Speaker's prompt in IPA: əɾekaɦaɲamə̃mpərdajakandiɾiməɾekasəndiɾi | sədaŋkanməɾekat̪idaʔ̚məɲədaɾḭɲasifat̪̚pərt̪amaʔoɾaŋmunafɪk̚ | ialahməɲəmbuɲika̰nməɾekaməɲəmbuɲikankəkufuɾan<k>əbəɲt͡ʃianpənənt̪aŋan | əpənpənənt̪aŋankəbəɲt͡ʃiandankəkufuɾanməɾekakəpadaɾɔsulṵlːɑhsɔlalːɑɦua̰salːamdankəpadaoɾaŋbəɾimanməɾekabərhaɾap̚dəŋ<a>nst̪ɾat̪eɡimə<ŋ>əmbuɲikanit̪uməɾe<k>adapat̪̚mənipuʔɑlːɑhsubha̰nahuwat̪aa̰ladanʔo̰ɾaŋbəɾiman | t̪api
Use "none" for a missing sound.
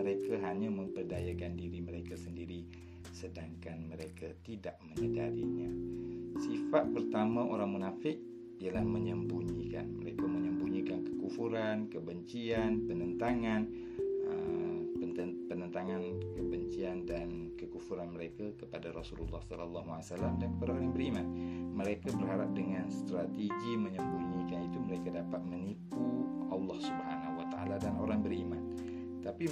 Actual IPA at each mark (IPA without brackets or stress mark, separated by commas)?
k, a, ɲ, k